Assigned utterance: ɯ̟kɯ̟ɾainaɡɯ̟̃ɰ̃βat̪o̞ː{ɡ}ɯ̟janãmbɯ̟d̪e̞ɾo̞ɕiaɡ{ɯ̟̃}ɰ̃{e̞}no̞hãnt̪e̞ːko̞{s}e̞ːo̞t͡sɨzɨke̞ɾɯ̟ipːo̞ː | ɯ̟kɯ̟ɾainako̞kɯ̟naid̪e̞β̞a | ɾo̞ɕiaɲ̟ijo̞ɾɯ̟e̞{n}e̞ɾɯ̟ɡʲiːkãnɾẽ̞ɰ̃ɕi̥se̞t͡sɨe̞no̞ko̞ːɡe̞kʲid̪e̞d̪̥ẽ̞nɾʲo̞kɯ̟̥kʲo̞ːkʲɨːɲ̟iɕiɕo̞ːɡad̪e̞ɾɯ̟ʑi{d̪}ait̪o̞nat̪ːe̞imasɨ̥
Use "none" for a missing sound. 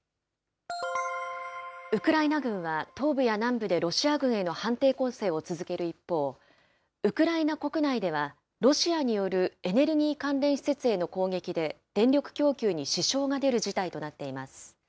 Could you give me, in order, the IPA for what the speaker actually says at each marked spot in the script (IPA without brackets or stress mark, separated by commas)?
b, ɯ̟̃, e̞, s, n, t̪